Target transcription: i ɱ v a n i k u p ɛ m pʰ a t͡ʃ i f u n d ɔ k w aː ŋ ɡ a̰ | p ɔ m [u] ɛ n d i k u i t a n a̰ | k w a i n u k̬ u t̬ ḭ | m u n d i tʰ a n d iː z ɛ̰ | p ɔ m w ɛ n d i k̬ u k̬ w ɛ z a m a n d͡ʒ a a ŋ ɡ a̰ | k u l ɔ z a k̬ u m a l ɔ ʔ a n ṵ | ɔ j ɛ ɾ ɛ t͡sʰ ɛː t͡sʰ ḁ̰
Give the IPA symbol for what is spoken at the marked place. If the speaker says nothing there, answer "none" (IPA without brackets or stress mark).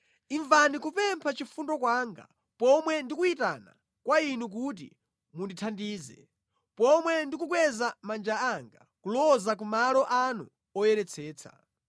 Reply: w